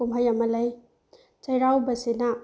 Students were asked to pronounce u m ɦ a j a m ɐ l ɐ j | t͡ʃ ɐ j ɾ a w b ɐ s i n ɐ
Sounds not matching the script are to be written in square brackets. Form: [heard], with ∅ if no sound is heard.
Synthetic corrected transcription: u m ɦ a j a m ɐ l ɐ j | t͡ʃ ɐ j ɾ a w b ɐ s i n [a]